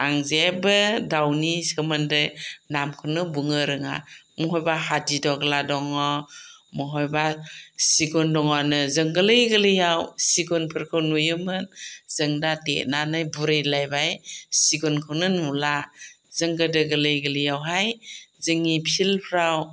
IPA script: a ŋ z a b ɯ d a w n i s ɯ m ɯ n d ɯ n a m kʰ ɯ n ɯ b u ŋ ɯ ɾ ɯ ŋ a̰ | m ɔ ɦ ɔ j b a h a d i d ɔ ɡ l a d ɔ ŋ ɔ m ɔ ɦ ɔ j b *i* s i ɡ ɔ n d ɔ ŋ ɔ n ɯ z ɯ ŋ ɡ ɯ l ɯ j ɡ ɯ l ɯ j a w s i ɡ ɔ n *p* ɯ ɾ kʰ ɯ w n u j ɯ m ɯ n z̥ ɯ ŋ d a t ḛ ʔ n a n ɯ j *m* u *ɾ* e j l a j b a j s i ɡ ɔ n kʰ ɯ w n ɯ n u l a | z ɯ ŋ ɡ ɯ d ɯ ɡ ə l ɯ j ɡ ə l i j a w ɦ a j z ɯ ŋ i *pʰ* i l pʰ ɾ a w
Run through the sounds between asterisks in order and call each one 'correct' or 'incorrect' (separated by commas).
incorrect, incorrect, incorrect, correct, correct